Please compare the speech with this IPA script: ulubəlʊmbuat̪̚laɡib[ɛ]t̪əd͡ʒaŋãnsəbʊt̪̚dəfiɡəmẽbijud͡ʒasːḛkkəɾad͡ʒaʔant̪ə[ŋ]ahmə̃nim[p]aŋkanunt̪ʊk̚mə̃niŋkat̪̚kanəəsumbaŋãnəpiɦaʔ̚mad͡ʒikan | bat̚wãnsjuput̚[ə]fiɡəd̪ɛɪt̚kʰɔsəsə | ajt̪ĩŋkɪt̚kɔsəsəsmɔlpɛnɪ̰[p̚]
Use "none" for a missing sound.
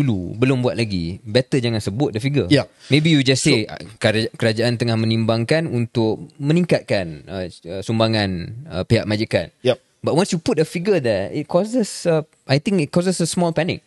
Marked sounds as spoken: ɛ, ŋ, b, ə, k̚

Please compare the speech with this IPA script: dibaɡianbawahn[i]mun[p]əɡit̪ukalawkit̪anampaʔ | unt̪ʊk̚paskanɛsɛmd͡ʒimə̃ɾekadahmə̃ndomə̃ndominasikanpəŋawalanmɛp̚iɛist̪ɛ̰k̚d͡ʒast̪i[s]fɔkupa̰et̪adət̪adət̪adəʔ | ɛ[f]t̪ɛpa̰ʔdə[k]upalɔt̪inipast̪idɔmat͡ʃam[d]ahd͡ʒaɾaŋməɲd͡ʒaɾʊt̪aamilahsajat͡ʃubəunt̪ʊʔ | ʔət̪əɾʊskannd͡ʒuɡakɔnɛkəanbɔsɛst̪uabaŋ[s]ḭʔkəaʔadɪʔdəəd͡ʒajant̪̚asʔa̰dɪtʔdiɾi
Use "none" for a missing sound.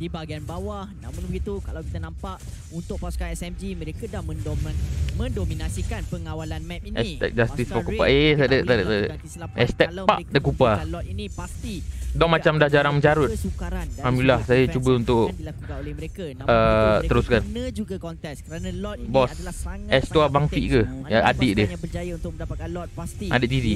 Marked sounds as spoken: a, b, s, s, k, d, f

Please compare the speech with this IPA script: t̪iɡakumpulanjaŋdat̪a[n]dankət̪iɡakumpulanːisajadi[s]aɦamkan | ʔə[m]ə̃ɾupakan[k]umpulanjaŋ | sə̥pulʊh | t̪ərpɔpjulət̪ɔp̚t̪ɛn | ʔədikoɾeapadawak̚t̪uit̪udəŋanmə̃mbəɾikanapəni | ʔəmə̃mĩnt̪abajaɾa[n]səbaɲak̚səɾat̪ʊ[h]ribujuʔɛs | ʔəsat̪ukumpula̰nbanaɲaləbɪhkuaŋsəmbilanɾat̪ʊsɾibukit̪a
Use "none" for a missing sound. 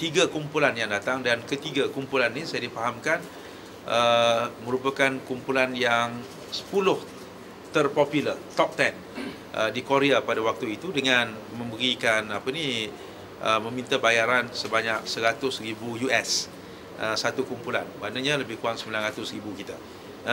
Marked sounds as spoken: ŋ, f, m, k, n, s

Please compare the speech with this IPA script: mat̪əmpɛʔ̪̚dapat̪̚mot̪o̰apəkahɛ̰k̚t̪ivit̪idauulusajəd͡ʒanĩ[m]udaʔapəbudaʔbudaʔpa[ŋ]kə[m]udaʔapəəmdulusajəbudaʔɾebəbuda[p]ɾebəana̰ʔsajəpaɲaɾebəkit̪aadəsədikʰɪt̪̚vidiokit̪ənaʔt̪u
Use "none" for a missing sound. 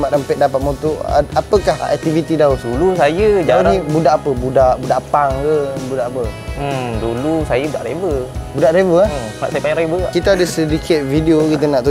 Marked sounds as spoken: b, ŋ, b, ʔ

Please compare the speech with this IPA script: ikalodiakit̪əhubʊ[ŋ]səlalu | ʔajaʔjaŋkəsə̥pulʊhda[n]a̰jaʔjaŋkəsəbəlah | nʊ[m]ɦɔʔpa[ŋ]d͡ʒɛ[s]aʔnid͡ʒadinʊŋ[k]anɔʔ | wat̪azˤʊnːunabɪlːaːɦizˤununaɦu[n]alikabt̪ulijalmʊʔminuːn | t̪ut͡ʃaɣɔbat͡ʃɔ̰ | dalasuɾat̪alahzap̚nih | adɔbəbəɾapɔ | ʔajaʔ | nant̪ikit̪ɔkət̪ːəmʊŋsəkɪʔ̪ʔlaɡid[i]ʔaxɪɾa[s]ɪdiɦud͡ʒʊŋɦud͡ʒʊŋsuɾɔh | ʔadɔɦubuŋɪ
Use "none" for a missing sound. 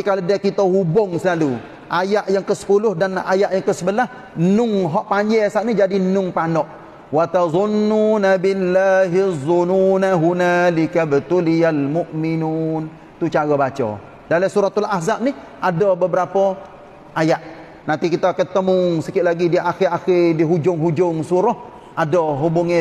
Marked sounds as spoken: ŋ, n, ŋ, ɲ, s, p, n, i, x

